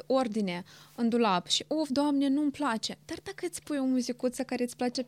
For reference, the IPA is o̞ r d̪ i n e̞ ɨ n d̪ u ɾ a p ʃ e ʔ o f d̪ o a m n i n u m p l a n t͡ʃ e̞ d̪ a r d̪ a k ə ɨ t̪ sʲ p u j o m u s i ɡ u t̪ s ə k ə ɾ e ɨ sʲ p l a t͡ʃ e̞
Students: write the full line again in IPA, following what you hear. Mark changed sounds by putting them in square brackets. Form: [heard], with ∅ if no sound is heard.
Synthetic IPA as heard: o̞ r d̪ i n e̞ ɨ n d̪ u [l] a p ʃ [i] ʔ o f d̪ o a m n [e] n u m p l a [∅] t͡ʃ e̞ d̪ a r d̪ a k ə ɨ t̪ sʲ p u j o m u [z] i [k] u t̪ s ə k [a] ɾ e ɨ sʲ p l a t͡ʃ e̞